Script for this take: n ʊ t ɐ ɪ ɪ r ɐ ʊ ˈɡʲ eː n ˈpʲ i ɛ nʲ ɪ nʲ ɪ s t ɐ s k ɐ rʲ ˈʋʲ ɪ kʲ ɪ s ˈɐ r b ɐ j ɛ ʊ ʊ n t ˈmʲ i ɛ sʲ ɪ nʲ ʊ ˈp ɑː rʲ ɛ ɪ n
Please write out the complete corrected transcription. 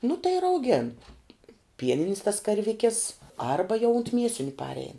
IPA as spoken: n ʊ t ɐ ɪ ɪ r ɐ ʊ ˈɡʲ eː n ˈpʲ i ɛ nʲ ɪ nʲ ɪ s t ɐ s k ɐ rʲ ˈʋʲ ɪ kʲ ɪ s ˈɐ r b ɐ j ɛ ʊ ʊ n t ˈmʲ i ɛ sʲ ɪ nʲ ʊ ˈp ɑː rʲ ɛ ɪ n